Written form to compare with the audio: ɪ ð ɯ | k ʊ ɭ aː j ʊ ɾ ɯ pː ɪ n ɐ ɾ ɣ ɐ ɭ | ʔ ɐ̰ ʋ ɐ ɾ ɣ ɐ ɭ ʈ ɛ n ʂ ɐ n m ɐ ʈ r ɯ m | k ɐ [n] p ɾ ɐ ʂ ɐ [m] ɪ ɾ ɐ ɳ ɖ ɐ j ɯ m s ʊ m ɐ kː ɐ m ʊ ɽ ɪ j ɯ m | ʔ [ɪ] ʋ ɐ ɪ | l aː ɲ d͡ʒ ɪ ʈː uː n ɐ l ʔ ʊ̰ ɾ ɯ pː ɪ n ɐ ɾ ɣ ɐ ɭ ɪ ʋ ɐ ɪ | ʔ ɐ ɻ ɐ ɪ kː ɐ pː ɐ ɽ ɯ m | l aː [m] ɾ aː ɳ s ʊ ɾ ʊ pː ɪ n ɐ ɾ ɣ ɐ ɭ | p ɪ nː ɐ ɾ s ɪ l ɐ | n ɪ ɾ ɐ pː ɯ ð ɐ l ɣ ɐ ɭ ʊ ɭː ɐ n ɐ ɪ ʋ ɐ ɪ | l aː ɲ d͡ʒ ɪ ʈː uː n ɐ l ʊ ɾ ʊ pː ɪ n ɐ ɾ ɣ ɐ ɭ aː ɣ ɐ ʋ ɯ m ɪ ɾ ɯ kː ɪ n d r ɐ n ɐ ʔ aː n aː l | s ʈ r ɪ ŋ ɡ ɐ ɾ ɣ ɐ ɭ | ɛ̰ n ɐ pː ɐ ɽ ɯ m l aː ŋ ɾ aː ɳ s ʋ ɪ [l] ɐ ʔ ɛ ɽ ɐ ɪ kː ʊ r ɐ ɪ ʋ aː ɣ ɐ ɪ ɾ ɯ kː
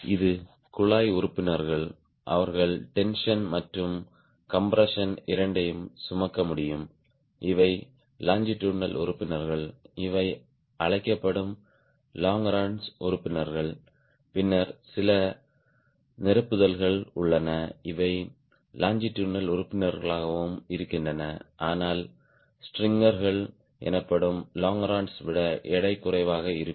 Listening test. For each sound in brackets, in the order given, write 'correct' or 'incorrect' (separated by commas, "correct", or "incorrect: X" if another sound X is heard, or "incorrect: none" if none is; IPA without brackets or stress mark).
incorrect: m, incorrect: n, correct, incorrect: ŋ, incorrect: ɽ